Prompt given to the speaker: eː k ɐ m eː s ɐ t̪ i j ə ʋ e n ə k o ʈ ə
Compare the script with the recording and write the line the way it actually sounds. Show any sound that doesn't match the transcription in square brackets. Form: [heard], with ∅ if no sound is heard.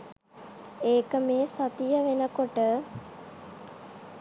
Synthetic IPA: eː k [ə] m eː s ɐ t̪ i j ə ʋ e n ə k o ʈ ə

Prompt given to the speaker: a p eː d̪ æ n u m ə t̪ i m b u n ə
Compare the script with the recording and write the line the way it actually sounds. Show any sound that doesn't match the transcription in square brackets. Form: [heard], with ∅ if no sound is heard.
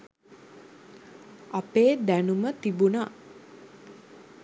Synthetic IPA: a p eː d̪ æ n u m ə t̪ i [∅] b u n [a]

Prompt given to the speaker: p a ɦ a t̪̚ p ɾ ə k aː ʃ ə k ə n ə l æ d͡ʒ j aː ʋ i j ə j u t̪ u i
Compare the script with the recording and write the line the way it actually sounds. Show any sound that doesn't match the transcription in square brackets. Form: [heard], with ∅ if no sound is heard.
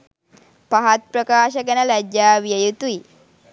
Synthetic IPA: p a ɦ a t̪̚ p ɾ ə k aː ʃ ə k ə n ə l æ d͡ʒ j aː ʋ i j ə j u t̪ u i

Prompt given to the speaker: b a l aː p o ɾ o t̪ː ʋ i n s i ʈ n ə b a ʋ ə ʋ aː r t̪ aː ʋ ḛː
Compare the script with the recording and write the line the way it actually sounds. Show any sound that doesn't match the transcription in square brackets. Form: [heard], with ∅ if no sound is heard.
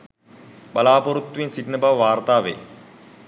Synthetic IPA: b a l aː p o ɾ [u] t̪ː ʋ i n s i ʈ n ə b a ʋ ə ʋ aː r t̪ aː ʋ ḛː

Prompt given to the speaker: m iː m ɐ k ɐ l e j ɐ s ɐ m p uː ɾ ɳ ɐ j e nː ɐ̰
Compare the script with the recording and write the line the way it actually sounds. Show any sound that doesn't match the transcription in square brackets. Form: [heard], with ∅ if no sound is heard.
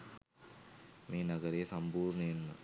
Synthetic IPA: m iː [n] ɐ [ɡ] ɐ [ɾ] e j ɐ s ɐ m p uː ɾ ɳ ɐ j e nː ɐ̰

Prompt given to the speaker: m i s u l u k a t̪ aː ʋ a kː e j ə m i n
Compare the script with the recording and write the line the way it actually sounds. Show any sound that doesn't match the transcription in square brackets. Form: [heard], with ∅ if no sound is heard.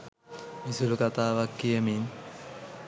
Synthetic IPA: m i s u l u k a t̪ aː ʋ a kː [i] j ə m i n

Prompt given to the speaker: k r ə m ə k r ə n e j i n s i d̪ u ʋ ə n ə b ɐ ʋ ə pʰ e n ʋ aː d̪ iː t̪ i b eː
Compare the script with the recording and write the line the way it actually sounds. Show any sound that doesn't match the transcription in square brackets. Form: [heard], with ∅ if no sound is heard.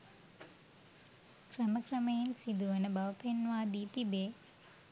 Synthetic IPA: k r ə m ə k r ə [m] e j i n s i d̪ u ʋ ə n ə b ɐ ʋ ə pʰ e n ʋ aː d̪ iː t̪ i b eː

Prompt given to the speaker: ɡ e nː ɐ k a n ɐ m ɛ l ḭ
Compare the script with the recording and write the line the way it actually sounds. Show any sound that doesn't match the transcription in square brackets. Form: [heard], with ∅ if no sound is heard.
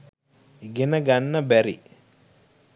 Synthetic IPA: ɡ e [n] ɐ [ɡ] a [nː] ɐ [b] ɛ [ɾ] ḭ

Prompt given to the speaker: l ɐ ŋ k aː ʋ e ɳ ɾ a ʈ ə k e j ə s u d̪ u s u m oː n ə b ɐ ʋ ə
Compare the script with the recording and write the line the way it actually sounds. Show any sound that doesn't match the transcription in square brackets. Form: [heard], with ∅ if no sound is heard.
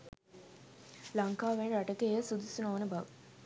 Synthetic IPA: l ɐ ŋ k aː ʋ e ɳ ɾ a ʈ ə k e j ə s u d̪ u s u [n] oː n ə b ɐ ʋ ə

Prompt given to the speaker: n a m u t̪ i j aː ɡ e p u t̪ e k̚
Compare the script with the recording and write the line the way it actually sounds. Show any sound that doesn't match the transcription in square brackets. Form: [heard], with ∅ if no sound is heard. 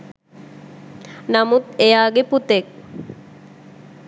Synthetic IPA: n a m u t̪ [e] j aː ɡ e p u t̪ e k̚

